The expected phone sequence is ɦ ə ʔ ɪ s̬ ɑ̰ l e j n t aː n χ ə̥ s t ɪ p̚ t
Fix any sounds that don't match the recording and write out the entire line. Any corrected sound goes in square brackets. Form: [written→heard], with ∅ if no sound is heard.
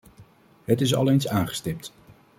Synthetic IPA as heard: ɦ ə [ʔ→t] ɪ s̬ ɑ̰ l e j n [t→s] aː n χ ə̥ s t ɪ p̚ t